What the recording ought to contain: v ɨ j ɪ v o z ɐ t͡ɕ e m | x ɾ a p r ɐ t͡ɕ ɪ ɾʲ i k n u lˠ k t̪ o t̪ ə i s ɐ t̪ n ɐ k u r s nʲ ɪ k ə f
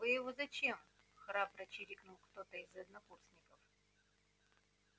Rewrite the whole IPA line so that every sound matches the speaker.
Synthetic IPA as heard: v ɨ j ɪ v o z ɐ t͡ɕ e m | x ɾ a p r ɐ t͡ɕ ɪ ɾʲ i k n u lˠ k t̪ o t̪ ə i z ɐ d̪ n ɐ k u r s nʲ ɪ k ə f